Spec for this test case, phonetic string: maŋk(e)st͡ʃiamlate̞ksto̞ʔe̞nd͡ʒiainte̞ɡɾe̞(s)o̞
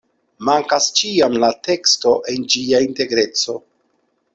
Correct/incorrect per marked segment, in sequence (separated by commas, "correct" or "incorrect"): incorrect, incorrect